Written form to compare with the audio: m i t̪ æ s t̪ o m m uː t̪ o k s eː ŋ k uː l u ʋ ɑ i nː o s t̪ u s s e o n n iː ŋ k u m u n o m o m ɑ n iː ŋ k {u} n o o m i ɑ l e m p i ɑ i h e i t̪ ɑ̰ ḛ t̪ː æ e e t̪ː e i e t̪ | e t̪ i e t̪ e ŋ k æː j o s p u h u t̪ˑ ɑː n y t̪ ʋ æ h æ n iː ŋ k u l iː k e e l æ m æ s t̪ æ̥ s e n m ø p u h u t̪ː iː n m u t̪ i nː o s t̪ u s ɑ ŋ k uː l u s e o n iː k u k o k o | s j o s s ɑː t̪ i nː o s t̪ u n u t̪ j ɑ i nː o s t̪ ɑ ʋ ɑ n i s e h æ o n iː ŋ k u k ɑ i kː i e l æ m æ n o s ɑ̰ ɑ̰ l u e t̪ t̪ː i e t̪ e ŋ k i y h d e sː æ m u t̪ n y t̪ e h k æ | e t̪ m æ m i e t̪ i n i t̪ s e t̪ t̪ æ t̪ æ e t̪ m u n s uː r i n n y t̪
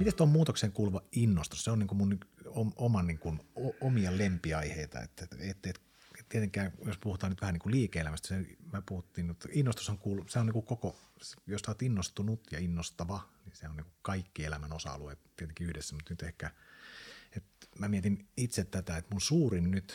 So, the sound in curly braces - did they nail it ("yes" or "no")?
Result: yes